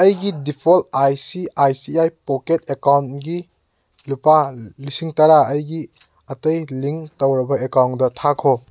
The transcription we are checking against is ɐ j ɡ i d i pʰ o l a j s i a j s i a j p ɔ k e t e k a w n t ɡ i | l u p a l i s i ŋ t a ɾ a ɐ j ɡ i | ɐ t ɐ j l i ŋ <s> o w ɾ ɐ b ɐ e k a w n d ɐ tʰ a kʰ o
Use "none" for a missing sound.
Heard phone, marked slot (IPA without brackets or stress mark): t